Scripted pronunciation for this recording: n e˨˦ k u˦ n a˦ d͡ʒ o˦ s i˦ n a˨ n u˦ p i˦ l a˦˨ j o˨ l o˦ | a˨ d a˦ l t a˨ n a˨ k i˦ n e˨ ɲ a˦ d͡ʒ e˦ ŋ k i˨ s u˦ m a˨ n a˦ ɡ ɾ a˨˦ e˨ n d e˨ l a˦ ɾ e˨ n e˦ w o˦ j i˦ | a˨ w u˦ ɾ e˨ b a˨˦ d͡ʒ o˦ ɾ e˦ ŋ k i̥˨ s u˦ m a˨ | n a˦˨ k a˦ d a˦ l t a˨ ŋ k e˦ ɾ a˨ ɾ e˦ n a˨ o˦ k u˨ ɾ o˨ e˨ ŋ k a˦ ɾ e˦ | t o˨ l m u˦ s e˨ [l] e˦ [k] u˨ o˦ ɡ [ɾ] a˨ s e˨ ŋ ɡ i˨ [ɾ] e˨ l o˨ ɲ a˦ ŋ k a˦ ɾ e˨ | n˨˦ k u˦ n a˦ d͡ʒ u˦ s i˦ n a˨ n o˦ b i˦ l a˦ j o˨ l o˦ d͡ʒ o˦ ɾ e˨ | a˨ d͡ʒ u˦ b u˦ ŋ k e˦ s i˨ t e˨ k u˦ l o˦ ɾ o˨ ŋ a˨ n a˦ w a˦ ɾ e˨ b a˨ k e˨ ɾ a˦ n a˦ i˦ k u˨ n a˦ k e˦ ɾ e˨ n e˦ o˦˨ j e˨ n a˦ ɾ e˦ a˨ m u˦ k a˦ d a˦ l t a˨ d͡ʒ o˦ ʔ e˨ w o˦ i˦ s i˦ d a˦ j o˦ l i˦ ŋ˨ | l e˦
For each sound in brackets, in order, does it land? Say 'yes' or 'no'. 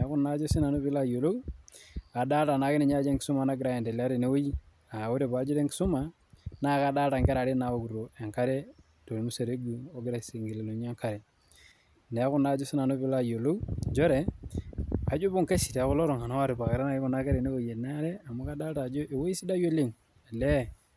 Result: no, no, yes, no

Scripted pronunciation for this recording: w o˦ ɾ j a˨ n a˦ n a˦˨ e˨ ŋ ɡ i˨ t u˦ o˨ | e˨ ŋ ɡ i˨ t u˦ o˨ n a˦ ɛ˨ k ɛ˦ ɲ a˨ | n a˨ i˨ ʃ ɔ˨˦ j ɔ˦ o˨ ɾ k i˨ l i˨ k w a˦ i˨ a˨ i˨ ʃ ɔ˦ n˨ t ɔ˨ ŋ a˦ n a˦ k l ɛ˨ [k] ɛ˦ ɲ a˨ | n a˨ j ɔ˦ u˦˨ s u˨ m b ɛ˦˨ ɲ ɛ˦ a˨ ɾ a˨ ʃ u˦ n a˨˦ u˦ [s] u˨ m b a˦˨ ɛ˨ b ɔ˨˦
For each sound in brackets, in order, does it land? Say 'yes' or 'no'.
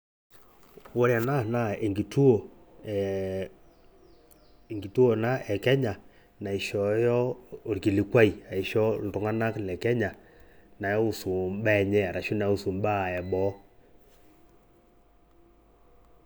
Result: yes, yes

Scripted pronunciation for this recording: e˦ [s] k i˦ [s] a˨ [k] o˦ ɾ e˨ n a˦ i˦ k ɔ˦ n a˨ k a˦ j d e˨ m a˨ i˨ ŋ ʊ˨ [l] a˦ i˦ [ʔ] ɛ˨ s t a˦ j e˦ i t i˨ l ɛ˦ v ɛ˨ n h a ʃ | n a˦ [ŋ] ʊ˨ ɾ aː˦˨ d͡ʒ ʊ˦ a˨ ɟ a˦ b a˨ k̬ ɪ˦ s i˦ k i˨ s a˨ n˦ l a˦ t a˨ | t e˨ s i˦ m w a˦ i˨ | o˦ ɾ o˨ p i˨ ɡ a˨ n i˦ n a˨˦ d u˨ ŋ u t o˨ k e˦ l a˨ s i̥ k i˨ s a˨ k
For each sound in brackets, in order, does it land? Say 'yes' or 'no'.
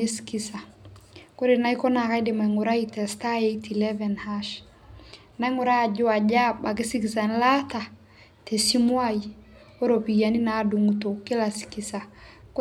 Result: yes, yes, yes, no, no, yes

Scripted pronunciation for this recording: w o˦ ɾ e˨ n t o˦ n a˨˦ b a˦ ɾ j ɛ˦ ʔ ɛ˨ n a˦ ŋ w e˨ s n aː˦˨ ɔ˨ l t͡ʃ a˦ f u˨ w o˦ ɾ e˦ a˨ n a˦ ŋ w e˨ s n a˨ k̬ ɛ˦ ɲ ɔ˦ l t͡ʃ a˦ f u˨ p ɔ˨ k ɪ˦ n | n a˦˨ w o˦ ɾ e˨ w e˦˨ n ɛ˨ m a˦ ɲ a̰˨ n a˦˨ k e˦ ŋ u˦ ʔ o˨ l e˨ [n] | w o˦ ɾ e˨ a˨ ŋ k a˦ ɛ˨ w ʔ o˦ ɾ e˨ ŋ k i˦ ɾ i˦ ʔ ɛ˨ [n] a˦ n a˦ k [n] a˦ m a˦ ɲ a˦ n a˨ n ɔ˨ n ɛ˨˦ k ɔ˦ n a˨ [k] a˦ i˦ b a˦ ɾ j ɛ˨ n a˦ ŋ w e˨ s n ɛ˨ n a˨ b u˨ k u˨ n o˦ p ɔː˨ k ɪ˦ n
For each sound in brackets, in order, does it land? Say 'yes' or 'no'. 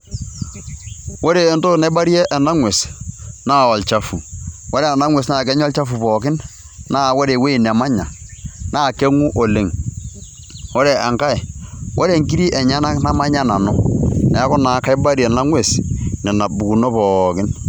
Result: no, no, yes, yes

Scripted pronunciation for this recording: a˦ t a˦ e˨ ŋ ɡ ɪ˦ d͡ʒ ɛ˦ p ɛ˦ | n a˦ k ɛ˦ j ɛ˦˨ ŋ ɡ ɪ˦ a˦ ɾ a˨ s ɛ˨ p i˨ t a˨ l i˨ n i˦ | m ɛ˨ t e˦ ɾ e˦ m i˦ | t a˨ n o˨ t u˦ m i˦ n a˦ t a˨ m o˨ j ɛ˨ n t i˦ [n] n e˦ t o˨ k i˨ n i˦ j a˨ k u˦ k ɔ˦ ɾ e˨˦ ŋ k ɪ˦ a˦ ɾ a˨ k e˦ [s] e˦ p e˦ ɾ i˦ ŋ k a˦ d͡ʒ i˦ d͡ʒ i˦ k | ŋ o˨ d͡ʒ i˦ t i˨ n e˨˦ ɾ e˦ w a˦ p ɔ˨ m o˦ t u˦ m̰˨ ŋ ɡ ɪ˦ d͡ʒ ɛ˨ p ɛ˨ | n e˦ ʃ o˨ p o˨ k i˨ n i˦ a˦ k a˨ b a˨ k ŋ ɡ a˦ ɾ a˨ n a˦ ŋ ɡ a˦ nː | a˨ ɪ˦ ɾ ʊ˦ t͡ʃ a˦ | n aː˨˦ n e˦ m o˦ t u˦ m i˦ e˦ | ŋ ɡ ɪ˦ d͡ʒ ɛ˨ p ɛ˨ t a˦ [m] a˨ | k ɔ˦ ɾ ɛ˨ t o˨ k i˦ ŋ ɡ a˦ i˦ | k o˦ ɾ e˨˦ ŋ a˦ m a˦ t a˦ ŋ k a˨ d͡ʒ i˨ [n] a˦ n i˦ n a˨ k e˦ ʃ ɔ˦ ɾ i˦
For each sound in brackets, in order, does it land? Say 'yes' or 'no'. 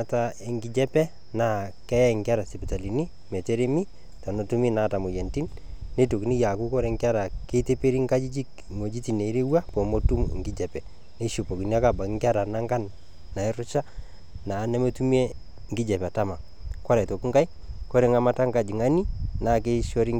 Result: yes, no, yes, no

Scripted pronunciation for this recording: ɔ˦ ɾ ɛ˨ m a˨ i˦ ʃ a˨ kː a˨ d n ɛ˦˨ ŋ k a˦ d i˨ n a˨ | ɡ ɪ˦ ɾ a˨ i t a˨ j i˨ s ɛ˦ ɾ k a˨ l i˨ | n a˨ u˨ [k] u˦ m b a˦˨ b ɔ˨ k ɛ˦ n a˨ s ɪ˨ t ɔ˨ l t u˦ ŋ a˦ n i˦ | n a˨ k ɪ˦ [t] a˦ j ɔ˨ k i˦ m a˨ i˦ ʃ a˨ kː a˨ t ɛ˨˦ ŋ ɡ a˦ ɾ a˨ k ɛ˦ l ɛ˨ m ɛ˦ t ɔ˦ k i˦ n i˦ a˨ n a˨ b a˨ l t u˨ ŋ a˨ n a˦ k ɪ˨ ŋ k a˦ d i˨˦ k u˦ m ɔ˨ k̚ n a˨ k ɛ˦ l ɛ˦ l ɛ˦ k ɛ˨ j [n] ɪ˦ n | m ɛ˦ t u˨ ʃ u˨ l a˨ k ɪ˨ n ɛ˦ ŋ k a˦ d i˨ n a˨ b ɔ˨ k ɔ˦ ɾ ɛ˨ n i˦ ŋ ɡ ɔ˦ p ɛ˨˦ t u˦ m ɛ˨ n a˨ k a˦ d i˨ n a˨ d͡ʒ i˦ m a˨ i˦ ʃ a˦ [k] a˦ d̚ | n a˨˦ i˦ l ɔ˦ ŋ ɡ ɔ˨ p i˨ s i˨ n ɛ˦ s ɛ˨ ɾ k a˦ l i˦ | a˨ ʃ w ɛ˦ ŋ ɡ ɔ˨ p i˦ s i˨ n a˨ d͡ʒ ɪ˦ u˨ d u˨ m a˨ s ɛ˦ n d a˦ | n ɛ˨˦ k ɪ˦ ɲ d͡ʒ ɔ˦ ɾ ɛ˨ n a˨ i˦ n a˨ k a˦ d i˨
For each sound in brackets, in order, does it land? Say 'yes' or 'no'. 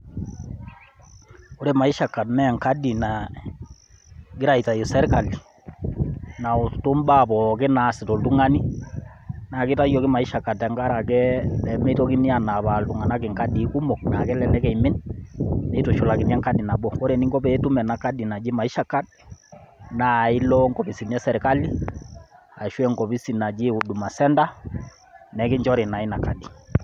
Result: no, yes, no, yes

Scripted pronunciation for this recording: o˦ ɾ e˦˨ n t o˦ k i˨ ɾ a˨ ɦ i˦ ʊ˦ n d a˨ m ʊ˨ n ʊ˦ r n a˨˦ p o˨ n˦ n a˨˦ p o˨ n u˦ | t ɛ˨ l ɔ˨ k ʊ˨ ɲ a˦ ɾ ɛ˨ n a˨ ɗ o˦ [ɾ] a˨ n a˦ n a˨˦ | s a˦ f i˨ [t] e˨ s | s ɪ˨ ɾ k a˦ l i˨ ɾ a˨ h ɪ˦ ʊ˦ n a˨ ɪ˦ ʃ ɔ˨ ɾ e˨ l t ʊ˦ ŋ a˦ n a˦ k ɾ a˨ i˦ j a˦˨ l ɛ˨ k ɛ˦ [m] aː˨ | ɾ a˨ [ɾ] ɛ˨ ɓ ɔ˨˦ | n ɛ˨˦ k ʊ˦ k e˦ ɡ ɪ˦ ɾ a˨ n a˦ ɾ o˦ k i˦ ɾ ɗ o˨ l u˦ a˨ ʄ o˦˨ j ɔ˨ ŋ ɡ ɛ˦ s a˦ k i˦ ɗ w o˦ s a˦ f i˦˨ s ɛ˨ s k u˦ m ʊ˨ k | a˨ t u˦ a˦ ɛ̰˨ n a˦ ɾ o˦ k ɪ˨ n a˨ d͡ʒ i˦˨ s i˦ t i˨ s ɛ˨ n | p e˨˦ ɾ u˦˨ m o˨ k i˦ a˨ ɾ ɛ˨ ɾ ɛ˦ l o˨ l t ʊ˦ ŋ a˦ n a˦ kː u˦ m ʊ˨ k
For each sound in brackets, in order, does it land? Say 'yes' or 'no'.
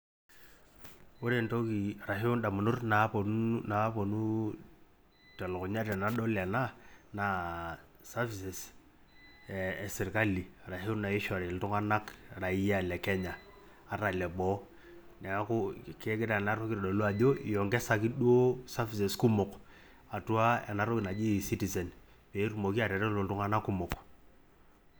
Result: no, no, no, no

